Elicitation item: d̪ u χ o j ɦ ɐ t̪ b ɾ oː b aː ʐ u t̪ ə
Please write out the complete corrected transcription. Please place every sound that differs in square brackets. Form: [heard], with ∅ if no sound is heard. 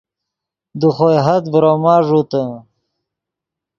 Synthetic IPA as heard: d̪ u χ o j ɦ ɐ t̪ b ɾ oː [m] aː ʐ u t̪ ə